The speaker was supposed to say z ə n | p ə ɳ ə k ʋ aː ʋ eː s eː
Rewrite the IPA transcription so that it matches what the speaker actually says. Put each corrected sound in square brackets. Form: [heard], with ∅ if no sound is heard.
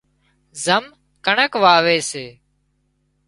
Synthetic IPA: z ə [m] | [k] ə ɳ ə k ʋ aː ʋ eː s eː